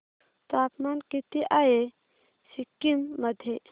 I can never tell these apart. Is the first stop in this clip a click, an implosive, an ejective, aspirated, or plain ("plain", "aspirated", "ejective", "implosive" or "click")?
plain